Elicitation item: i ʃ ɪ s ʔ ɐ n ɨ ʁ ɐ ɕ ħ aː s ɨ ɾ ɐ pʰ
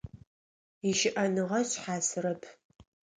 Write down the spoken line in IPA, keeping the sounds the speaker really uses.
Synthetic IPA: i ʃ ɪ ʔ ɐ n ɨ ʁ ɐ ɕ ħ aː s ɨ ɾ ɐ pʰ

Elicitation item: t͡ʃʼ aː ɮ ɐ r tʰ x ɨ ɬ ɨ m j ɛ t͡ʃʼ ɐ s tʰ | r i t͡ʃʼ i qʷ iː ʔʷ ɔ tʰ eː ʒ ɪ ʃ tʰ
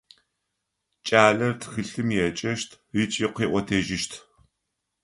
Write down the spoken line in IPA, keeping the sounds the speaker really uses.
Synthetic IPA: t͡ʃʼ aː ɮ ɐ r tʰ x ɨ ɬ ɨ m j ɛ t͡ʃʼ ɐ ʃ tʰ | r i t͡ʃʼ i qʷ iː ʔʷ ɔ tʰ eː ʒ ɪ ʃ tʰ

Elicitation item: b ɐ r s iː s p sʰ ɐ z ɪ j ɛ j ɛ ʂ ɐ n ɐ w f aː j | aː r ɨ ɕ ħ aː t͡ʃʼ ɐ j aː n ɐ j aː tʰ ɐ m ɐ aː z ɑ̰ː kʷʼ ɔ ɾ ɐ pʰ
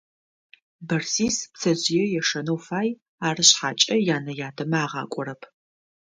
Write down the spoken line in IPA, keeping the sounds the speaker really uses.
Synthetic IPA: b ɐ r s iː s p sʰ ɐ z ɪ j ɛ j ɛ ʂ ɐ n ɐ w f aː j | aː r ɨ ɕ ħ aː t͡ʃʼ ɐ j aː n ɐ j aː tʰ ɐ m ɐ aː ʁ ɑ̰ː kʷʼ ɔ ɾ ɐ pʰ

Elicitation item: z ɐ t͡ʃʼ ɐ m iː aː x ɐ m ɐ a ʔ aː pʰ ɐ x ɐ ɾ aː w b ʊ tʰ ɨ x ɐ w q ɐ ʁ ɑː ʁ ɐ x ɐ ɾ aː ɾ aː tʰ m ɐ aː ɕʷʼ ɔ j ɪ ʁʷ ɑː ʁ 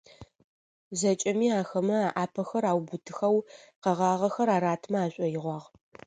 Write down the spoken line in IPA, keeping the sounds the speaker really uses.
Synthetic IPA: z ɐ t͡ʃʼ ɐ m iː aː x ɐ m ɐ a ʔ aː pʰ ɐ x ɐ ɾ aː w b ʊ tʰ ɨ x ɐ w q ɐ ʁ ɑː ʁ ɐ x ɐ ɾ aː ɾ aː tʰ m ɐ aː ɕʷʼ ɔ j ɪ ʁʷ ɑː ʁ

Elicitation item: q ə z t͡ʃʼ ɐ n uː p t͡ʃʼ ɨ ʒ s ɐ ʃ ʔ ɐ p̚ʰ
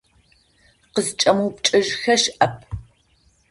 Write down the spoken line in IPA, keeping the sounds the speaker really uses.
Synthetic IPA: q ə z t͡ʃʼ ɐ m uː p t͡ʃʼ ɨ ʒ x ɐ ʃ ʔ ɐ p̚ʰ

